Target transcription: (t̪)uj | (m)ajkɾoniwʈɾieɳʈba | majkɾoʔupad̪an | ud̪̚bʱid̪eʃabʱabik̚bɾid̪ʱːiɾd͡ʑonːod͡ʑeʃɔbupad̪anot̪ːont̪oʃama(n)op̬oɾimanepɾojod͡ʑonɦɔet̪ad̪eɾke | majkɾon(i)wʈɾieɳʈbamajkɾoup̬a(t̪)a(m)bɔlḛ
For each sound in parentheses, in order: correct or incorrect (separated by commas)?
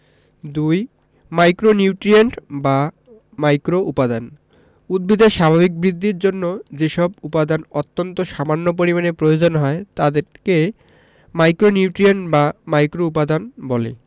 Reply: incorrect, correct, incorrect, correct, incorrect, incorrect